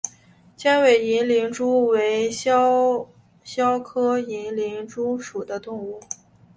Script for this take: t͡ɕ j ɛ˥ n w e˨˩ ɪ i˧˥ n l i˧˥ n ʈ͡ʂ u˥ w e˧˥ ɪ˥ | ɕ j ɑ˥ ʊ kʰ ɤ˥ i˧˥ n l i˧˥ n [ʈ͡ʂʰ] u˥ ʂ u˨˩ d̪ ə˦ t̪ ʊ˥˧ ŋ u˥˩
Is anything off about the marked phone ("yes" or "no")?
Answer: yes